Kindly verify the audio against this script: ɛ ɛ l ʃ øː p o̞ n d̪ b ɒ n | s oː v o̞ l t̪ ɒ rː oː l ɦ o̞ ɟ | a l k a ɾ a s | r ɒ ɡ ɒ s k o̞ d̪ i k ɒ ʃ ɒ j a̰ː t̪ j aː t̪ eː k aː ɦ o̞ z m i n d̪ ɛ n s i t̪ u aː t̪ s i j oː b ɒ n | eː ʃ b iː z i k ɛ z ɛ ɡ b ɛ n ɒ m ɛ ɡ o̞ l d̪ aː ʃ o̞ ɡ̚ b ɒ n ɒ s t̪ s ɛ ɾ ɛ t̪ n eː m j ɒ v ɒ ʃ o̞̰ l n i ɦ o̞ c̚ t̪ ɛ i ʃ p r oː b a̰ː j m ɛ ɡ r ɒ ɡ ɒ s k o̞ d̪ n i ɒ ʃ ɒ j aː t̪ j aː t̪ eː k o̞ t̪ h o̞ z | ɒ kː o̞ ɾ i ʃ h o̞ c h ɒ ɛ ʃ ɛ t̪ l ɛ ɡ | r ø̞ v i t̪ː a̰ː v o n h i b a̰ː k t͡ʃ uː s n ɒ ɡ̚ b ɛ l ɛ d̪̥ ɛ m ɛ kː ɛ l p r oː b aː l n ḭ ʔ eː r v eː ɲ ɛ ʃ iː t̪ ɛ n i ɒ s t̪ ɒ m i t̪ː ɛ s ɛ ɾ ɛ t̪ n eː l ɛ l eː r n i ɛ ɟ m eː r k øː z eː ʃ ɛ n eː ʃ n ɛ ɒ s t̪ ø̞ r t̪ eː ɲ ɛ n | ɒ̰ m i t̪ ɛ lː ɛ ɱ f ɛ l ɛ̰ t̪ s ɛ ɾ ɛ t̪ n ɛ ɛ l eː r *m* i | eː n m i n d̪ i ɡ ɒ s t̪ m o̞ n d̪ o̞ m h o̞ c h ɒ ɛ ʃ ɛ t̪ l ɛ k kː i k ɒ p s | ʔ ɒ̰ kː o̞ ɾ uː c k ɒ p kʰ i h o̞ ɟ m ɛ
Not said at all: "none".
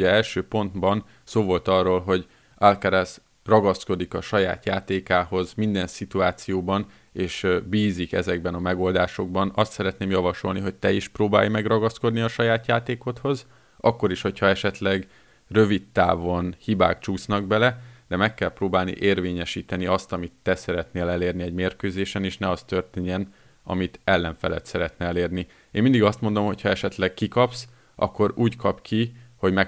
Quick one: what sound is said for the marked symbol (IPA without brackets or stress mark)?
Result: n